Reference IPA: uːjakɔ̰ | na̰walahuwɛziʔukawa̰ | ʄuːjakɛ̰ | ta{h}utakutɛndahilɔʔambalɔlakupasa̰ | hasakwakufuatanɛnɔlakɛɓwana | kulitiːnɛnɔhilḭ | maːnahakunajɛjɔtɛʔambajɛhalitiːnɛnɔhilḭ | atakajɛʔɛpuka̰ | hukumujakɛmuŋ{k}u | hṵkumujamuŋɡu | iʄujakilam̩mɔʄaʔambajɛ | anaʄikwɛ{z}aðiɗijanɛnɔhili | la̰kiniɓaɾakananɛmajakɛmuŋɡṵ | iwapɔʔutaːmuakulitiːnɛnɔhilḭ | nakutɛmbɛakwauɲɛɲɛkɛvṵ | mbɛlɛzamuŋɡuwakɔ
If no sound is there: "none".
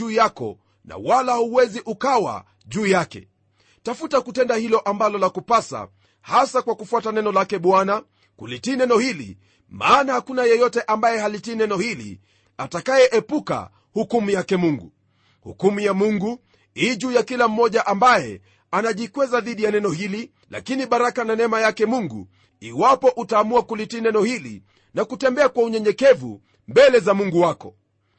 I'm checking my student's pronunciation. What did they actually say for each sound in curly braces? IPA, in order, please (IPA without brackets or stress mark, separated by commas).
f, ɡ, z